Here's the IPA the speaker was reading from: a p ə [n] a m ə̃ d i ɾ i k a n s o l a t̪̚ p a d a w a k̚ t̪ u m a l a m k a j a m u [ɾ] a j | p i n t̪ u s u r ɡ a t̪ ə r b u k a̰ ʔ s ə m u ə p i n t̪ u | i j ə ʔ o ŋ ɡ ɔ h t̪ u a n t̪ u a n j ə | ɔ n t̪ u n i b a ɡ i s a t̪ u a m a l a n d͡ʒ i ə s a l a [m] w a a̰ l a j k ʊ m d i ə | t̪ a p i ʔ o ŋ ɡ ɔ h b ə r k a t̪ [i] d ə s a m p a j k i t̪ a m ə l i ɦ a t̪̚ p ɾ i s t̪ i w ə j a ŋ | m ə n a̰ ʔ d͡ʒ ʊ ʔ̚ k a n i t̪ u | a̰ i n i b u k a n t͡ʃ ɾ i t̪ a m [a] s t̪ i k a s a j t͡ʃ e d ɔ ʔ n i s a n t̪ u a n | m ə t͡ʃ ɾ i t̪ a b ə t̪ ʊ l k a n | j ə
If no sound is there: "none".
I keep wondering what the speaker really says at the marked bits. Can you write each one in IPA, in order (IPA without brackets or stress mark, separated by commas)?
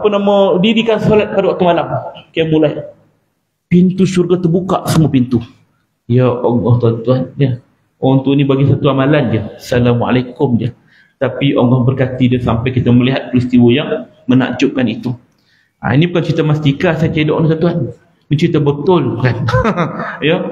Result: n, l, m, i, a